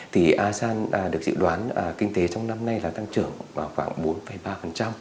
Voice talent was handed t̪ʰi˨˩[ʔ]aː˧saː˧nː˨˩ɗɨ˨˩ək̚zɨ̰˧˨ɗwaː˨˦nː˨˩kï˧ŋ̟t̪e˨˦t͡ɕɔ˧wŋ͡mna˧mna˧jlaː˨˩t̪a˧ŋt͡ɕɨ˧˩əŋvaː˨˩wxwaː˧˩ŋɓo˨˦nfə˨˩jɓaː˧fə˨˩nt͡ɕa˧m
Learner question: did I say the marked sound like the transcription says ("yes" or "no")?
yes